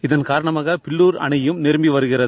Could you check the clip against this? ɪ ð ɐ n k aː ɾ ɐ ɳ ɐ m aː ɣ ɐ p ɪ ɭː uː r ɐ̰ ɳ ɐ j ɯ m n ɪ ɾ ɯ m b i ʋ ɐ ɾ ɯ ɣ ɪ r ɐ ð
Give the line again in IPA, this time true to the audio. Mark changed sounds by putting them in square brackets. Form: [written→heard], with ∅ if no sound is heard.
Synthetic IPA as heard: ɪ ð ɐ n k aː ɾ ɐ ɳ ɐ m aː ɣ ɐ p ɪ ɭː uː [r→ɾ] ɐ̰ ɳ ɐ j ɯ m n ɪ ɾ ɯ m b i ʋ ɐ ɾ ɯ ɣ ɪ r ɐ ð